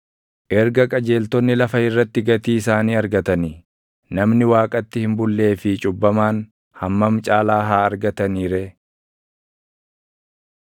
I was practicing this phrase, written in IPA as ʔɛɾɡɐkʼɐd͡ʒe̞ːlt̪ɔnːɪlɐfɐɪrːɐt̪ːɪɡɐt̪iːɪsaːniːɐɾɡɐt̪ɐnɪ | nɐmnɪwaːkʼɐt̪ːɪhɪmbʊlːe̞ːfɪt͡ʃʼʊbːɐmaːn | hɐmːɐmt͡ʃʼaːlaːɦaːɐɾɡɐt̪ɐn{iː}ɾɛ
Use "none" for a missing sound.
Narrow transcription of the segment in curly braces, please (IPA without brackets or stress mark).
iː